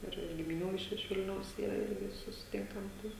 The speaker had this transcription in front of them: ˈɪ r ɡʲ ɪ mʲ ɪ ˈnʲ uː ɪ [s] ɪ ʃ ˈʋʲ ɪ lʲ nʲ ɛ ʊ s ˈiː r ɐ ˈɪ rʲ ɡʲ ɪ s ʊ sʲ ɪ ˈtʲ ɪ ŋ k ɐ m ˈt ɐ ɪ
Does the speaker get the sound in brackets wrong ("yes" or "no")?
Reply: yes